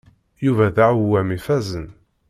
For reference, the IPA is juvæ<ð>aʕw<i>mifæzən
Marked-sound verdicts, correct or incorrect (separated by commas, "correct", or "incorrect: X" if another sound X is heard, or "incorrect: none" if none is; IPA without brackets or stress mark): correct, incorrect: æ